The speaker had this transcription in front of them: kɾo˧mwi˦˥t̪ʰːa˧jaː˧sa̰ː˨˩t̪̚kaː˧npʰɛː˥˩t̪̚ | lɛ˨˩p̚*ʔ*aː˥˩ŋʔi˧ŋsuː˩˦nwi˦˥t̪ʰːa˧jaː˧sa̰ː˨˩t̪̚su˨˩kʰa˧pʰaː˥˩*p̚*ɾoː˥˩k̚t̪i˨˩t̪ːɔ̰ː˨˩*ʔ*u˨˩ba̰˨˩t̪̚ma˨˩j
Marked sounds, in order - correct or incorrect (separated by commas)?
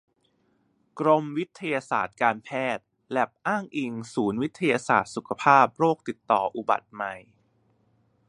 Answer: correct, correct, correct